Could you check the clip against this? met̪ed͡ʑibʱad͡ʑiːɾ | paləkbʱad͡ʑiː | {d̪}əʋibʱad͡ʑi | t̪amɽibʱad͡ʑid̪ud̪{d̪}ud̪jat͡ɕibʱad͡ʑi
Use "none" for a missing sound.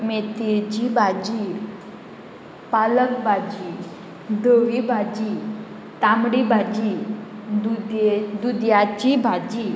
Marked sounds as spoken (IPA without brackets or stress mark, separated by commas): d̪, d̪